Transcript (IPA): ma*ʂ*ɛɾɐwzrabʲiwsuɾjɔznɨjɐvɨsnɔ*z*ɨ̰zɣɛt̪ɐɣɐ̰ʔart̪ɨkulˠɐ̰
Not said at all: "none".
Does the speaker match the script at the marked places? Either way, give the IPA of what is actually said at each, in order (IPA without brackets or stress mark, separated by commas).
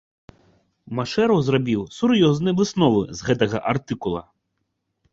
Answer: ʂ, v